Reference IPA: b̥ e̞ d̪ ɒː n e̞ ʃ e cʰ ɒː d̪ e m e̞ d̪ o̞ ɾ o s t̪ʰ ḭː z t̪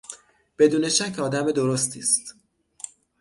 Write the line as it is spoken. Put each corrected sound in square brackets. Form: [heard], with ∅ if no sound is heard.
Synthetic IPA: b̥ e̞ d̪ [uː] n e̞ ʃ [æ] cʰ ɒː d̪ [æ] m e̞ d̪ o̞ ɾ o s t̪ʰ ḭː [s] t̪